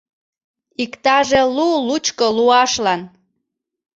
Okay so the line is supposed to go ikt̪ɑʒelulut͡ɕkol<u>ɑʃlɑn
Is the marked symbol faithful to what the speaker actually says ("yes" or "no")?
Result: yes